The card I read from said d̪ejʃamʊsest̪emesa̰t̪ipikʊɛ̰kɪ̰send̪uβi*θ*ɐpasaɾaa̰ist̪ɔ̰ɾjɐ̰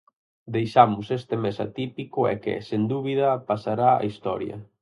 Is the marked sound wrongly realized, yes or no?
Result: yes